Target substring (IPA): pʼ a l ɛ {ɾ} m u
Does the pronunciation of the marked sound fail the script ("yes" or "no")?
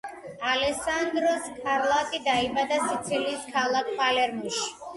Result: no